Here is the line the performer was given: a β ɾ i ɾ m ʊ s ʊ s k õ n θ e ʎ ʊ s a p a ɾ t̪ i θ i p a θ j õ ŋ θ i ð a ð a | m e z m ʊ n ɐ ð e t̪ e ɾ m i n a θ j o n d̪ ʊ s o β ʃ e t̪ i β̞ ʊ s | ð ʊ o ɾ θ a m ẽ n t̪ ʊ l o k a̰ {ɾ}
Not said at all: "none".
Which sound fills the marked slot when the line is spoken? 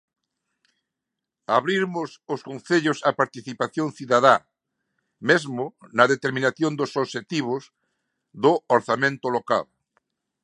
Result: l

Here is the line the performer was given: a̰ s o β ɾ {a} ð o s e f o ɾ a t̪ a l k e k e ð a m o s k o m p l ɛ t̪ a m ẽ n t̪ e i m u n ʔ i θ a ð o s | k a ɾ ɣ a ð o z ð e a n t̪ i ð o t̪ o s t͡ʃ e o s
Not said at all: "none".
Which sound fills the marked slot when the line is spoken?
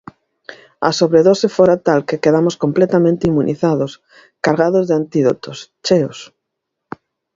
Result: e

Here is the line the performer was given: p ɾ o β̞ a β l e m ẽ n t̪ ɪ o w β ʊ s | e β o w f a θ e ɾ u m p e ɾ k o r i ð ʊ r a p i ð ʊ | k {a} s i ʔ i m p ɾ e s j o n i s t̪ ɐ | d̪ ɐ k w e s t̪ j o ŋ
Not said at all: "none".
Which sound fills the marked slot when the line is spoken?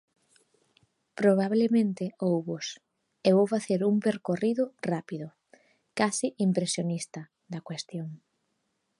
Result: a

